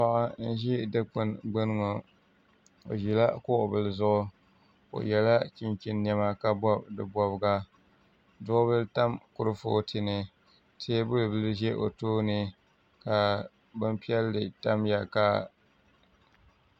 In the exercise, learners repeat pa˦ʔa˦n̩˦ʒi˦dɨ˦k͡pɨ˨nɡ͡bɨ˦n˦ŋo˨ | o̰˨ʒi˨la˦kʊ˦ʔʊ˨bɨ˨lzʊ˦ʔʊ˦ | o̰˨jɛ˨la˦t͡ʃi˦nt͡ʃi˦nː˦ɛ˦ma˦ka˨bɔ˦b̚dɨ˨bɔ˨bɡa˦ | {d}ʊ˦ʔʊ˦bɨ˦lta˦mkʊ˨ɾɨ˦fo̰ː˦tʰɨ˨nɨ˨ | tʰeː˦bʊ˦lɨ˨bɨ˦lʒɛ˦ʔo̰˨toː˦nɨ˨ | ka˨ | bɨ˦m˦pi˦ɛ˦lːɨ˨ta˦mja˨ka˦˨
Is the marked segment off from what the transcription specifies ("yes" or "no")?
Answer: no